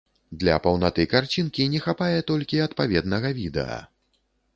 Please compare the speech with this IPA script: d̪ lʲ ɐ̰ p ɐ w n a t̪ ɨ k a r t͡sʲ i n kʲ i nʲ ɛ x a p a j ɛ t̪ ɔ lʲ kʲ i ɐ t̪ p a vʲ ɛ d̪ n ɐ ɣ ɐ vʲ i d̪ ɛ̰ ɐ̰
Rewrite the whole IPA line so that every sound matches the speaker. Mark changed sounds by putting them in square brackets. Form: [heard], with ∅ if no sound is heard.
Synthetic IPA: d̪ lʲ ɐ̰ p ɐ w n a t̪ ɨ k a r t͡sʲ i n kʲ i nʲ ɛ x a p a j ɛ t̪ ɔ lʲ kʲ i ɐ t̪ p a vʲ ɛ d̪ n ɐ ɣ ɐ vʲ i d̪ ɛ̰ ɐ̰